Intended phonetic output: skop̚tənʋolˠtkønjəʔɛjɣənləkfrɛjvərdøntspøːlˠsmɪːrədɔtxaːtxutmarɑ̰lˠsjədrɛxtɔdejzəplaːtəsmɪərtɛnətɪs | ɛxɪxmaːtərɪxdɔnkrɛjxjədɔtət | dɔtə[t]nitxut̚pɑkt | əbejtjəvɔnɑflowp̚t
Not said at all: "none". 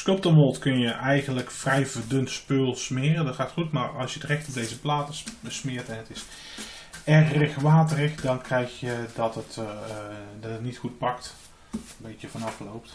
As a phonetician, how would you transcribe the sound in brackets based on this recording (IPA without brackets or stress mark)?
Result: t